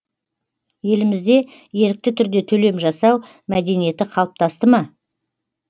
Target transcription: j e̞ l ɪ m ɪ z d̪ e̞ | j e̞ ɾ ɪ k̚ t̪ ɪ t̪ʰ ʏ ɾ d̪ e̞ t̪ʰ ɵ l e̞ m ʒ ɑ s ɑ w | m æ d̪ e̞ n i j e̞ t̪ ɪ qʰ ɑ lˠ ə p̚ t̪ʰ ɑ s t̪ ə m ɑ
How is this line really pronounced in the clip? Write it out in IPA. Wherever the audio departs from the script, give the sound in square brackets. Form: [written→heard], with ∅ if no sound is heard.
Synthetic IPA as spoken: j e̞ l ɪ m ɪ z d̪ e̞ | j e̞ ɾ ɪ k̚ t̪ ɪ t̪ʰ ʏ ɾ d̪ e̞ t̪ʰ ɵ l e̞ m ʒ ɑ s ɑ w | m æ d̪ e̞ n i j e̞ t̪ ɪ qʰ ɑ lˠ ə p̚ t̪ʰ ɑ s t̪ ə m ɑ